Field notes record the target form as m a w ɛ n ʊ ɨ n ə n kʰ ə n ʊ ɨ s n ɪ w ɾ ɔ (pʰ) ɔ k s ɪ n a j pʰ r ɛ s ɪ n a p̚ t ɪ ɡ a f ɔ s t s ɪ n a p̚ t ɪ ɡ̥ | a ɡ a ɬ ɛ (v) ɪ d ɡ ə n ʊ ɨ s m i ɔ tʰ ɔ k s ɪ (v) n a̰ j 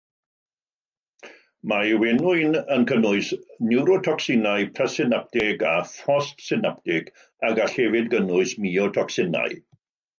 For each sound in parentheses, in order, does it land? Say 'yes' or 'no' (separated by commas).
no, yes, no